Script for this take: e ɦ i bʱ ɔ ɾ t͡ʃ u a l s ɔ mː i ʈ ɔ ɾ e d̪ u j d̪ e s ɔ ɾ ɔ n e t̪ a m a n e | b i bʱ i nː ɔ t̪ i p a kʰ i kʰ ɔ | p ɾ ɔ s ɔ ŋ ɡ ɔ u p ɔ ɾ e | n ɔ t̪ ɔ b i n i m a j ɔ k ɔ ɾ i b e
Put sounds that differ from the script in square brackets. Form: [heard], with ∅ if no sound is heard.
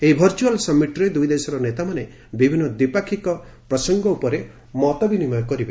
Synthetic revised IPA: e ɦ i bʱ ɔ ɾ t͡ʃ u a l s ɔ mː i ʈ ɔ ɾ e d̪ u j d̪ e s ɔ ɾ ɔ n e t̪ a m a n e | b i bʱ i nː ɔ [d̪] i p a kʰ i [k] ɔ | p ɾ ɔ s ɔ ŋ ɡ ɔ u p ɔ ɾ e | [m] ɔ t̪ ɔ b i n i m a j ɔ k ɔ ɾ i b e